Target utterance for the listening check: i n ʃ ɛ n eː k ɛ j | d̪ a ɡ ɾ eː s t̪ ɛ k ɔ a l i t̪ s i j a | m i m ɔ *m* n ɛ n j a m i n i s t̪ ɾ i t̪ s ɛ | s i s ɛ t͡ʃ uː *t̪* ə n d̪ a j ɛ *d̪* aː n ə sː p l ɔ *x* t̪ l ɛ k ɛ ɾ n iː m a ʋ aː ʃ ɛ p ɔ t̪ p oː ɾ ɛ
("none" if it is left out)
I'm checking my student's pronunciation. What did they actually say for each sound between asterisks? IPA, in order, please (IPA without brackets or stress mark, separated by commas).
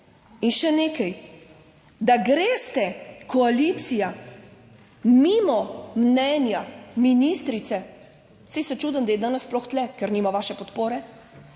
m, d̪, d̪, x